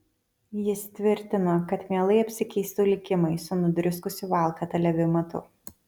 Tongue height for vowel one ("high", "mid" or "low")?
high